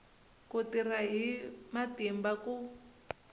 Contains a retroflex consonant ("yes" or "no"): no